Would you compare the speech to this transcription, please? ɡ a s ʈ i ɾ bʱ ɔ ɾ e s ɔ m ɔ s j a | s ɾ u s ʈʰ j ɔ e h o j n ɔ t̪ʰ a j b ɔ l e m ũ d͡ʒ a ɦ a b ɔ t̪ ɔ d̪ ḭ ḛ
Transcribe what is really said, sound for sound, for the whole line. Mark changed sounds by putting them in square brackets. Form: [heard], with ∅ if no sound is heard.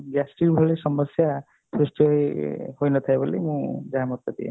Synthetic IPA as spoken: ɡ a s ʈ i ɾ bʱ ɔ [ɭ] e s ɔ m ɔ s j a | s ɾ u s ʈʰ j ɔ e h o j n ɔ t̪ʰ a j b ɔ l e m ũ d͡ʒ a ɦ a [m] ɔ t̪ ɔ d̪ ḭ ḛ